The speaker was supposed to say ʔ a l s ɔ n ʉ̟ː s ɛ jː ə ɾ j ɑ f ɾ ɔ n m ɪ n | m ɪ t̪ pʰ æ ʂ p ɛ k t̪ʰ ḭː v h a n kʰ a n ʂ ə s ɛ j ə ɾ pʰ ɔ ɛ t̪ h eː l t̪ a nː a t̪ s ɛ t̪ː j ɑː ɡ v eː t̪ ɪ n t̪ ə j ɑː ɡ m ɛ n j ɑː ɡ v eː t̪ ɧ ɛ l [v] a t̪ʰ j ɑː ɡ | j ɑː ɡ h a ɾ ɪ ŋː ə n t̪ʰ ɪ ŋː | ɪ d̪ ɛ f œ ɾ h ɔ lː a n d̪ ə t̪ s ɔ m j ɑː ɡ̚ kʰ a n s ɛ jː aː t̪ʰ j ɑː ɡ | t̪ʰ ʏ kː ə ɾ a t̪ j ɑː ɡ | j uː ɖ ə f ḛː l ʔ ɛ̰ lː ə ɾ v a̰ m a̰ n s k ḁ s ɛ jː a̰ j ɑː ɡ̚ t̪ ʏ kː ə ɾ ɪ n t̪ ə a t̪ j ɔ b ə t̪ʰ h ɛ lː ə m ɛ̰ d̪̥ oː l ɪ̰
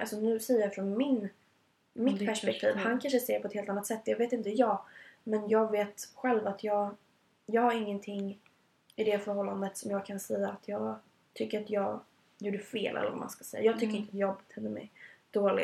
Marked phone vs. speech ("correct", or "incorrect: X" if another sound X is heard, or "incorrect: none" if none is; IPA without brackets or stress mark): correct